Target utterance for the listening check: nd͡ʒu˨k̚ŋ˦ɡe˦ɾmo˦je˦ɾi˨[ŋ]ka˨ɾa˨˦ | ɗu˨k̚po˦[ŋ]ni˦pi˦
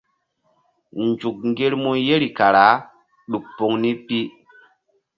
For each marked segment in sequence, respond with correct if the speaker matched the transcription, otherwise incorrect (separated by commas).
incorrect, correct